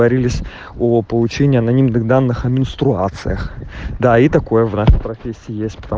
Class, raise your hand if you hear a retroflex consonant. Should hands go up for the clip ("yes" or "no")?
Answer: yes